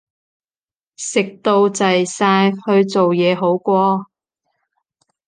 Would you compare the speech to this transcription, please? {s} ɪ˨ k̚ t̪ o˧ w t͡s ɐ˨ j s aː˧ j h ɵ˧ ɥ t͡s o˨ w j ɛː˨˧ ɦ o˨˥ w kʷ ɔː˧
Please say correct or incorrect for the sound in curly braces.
correct